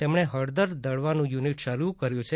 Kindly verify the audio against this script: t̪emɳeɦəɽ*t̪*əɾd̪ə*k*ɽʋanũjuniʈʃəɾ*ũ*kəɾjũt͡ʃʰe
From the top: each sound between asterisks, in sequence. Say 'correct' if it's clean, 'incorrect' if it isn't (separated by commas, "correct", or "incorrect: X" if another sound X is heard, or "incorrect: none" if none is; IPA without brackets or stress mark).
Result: incorrect: d̪, incorrect: none, incorrect: u